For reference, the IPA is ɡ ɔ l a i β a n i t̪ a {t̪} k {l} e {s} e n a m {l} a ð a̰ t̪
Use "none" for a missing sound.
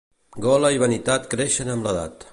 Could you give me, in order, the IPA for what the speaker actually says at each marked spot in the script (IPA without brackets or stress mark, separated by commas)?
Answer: t̪, ɾ, ʃ, l